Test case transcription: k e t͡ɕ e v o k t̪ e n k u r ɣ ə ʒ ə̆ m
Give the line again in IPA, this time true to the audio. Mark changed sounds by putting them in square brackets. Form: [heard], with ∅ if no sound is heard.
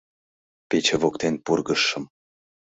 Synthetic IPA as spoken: [p] e t͡ɕ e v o k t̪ e n [p] u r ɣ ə [ʃ] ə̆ m